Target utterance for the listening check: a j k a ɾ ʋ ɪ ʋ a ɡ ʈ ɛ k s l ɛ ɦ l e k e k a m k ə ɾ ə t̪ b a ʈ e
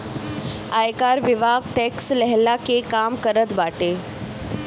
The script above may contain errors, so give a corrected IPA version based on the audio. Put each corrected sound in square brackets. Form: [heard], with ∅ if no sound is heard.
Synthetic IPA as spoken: a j k a ɾ ʋ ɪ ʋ a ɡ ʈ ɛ k s l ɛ ɦ l [a] k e k a m k ə ɾ ə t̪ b a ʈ e